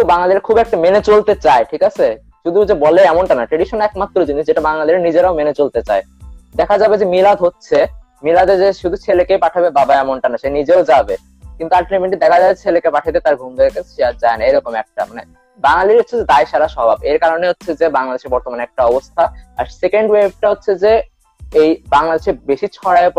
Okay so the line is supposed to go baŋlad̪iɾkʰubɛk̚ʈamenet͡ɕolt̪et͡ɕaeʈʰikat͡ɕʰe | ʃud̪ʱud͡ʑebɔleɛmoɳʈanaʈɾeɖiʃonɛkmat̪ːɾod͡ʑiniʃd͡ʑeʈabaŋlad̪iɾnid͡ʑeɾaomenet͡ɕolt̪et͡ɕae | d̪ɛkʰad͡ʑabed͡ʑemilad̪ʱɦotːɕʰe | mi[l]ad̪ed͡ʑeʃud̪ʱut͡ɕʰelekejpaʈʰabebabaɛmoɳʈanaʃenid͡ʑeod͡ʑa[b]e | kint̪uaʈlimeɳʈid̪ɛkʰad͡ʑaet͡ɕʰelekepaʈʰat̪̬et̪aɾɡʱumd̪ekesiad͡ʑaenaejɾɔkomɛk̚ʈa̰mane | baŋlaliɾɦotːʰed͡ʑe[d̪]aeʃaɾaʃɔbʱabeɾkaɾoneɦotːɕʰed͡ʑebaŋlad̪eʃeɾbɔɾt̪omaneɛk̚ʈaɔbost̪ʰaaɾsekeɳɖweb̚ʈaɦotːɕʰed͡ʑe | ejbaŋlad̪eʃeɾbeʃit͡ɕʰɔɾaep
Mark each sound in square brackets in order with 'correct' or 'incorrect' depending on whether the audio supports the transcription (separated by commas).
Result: correct, correct, correct